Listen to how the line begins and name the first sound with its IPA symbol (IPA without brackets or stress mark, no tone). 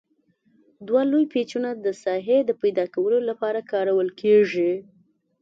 d̪